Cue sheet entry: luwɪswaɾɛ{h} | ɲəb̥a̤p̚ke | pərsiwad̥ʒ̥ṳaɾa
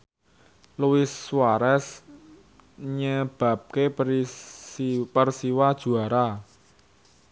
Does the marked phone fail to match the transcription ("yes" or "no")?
yes